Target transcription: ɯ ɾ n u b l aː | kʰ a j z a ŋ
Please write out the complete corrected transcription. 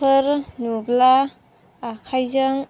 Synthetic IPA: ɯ ɾ n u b l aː | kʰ a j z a ŋ